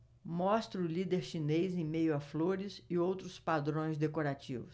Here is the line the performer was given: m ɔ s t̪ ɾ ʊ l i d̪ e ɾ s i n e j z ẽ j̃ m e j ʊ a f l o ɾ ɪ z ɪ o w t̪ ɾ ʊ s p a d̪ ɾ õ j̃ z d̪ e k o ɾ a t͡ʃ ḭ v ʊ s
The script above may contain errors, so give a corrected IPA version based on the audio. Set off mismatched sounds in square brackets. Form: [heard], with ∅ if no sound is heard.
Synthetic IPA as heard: m ɔ s t̪ ɾ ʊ l i d̪ e ɾ [ʃ] i n e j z ẽ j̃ m e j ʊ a f l o ɾ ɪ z ɪ o w t̪ ɾ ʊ s p a d̪ ɾ õ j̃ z d̪ e k o ɾ a t͡ʃ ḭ v ʊ s